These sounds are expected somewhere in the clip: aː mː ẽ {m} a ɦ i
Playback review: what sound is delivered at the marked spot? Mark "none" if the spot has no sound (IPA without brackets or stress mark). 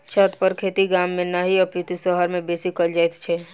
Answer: n